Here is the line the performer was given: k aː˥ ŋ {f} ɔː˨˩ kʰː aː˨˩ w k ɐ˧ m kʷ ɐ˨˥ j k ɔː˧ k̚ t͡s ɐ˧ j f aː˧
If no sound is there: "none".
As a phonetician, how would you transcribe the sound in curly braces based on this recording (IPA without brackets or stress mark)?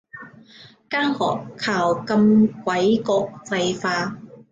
h